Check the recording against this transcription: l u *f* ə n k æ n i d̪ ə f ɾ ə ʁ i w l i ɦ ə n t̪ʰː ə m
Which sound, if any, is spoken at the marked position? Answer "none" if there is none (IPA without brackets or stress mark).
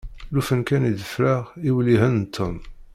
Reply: f